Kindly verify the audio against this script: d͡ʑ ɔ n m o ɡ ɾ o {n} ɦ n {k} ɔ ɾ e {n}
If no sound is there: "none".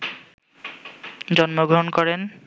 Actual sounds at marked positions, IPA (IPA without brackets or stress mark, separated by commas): none, k, n